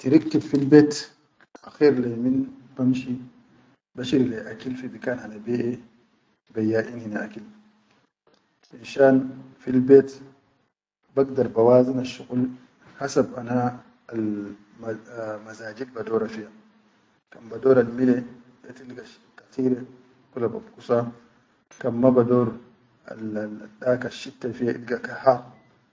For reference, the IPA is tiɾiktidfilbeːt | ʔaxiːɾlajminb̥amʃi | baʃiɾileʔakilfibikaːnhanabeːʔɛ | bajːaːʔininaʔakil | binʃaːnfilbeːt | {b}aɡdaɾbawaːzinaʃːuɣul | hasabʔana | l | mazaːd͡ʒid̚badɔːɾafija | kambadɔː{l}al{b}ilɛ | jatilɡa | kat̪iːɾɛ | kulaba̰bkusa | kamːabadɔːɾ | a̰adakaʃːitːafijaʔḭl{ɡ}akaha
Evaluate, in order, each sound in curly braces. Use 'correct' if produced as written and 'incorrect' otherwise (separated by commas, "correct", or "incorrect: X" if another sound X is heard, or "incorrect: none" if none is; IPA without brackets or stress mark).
correct, incorrect: ɾ, incorrect: m, correct